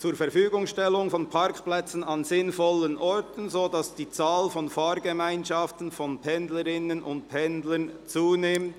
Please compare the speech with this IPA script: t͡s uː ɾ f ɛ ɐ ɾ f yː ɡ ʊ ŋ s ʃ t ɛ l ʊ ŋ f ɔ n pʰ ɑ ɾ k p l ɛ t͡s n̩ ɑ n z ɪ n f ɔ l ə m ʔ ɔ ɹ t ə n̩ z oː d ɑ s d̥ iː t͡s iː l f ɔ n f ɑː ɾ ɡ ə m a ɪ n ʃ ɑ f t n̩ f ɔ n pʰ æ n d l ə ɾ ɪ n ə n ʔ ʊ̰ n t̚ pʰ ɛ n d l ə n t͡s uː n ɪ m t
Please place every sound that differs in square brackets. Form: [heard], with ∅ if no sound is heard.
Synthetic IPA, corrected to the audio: t͡s uː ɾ f ɛ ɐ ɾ f yː ɡ ʊ ŋ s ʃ t ɛ l ʊ ŋ f ɔ n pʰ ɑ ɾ k p l ɛ t͡s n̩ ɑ n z ɪ n f ɔ l ə [n] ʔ ɔ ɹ t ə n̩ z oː d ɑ s d̥ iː t͡s [aː] l f ɔ n f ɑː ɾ ɡ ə m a ɪ n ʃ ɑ f t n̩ f ɔ n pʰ [ɛ] n d l ə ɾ ɪ n ə n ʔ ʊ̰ n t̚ pʰ ɛ n d l ə n t͡s uː n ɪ m t